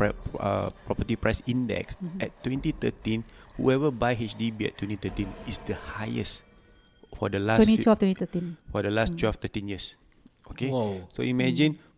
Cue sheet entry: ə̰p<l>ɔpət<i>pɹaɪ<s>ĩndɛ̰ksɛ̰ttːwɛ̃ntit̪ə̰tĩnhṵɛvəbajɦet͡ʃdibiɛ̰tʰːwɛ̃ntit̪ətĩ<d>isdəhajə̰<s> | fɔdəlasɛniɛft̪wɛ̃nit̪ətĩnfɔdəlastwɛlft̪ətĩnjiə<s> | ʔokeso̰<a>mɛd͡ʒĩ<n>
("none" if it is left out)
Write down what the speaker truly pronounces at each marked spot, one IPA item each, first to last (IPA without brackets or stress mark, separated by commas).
ɹ, i, s, n, s, s, i, n